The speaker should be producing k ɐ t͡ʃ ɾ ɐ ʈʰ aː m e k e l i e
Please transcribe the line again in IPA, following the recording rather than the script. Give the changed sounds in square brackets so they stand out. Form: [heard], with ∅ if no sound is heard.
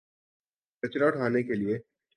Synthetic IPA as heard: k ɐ t͡ʃ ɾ [a] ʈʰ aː [n] e k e l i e